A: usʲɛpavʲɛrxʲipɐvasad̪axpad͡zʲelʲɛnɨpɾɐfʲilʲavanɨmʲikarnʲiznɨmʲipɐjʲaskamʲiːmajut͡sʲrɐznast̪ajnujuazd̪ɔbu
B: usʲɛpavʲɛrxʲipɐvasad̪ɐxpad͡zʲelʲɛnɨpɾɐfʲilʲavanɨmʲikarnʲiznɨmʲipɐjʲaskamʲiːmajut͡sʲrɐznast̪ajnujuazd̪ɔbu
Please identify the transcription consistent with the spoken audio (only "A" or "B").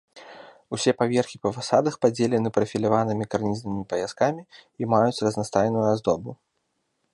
B